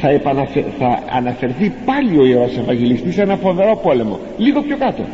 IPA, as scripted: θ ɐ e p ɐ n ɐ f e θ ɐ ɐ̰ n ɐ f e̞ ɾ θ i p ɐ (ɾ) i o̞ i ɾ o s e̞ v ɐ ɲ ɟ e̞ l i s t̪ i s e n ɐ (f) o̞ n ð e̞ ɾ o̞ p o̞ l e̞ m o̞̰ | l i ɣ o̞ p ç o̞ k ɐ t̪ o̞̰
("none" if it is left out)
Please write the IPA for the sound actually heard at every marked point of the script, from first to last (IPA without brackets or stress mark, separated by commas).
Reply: l, f